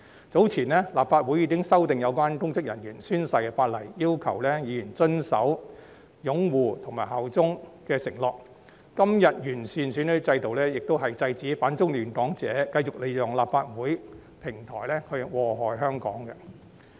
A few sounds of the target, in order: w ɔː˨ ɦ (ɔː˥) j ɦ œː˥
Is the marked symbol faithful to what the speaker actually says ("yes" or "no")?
no